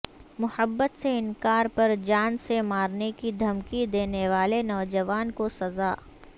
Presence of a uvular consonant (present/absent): absent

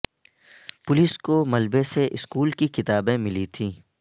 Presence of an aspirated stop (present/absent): present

